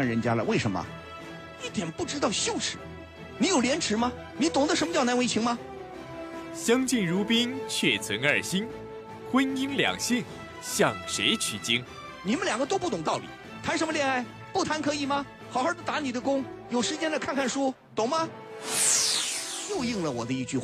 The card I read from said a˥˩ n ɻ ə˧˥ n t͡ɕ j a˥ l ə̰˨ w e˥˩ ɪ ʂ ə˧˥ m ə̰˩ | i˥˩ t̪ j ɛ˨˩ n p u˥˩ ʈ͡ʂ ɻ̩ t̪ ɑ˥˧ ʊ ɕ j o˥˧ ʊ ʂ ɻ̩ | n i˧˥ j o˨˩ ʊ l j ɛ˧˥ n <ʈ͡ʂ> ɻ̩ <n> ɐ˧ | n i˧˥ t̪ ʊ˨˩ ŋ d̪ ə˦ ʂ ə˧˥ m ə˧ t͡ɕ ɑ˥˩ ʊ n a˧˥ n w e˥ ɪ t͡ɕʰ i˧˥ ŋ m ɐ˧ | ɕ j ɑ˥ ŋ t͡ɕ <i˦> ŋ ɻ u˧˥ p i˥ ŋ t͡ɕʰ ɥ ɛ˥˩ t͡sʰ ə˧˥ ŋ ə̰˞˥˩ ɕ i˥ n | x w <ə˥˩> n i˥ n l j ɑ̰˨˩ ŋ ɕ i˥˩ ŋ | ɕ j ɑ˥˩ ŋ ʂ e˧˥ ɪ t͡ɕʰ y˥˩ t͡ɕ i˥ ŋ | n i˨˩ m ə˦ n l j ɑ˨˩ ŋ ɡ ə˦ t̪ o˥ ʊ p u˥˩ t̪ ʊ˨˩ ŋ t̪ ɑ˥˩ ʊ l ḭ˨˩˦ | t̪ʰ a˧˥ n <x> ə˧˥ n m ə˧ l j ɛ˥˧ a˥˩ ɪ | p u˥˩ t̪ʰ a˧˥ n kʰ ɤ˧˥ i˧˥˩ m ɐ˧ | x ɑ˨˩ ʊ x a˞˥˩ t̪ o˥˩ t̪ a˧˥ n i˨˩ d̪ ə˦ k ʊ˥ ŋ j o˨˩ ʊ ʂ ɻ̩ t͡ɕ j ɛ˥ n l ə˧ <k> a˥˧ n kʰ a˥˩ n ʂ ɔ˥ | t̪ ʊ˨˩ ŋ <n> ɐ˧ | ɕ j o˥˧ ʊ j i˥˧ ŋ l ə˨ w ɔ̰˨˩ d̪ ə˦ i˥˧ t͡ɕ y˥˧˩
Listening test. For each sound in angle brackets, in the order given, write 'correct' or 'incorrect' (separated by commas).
incorrect, incorrect, incorrect, incorrect, incorrect, incorrect, incorrect